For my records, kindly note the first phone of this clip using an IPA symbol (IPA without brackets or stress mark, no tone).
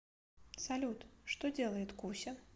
s